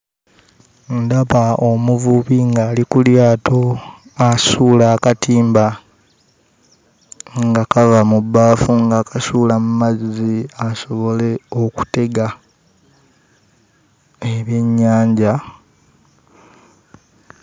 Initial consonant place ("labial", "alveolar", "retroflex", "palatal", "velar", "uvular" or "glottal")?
alveolar